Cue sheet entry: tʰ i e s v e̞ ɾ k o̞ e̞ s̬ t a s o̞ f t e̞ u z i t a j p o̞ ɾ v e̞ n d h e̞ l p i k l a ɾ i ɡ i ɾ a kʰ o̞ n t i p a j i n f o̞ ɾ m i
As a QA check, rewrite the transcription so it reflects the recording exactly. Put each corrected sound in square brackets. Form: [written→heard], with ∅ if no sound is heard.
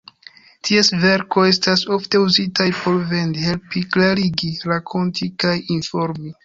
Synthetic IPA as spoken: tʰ i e s v e̞ ɾ k o̞ e̞ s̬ t a s o̞ f t e̞ u z i t a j p o̞ ɾ v e̞ n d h e̞ l p i k l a ɾ i ɡ i ɾ a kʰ o̞ n t i [p→k] a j i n f o̞ ɾ m i